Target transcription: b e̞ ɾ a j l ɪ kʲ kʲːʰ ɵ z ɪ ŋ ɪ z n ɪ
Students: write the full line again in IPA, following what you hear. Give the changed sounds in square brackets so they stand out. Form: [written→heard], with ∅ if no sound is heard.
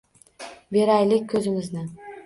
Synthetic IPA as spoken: b e̞ ɾ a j l ɪ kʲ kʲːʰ ɵ z ɪ [ŋ→m] ɪ z n ɪ